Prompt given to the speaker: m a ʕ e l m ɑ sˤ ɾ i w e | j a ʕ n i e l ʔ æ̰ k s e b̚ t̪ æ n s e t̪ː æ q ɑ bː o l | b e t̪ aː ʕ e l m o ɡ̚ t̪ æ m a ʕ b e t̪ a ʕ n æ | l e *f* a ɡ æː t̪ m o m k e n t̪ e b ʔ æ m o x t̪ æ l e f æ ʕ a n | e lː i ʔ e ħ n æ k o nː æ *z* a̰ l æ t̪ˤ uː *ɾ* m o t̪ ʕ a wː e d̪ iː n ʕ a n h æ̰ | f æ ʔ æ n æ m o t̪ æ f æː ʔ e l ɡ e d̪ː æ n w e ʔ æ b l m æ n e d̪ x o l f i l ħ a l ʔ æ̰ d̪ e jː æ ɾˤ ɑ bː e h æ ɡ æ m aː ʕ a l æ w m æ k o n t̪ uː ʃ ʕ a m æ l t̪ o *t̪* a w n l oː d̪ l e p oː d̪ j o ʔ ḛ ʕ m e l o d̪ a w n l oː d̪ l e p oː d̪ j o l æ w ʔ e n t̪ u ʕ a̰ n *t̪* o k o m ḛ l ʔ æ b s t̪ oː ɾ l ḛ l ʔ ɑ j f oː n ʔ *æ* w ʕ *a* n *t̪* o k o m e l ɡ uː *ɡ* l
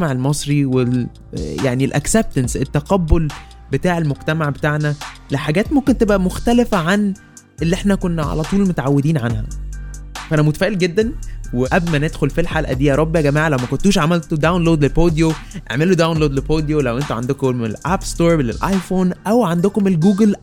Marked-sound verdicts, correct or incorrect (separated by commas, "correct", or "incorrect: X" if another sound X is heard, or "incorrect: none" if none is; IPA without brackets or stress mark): incorrect: ħ, incorrect: ʕ, incorrect: l, incorrect: d̪, incorrect: d̪, correct, correct, incorrect: d̪, correct